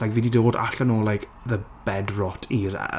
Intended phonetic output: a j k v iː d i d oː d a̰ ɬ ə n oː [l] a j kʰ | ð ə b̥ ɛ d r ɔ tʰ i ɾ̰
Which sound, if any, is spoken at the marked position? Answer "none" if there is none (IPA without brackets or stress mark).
l